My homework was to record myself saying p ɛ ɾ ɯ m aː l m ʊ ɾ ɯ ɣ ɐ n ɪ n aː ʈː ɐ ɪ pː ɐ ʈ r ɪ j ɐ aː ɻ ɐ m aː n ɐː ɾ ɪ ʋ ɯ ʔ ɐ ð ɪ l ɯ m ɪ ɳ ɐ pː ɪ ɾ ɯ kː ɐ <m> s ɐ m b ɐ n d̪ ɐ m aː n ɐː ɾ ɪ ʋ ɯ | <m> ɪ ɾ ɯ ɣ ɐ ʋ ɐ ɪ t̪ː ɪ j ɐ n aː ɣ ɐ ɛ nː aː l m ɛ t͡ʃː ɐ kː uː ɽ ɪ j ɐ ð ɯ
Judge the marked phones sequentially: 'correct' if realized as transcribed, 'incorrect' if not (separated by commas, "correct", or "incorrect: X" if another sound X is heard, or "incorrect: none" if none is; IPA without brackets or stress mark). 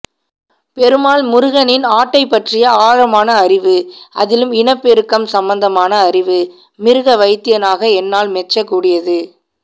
correct, correct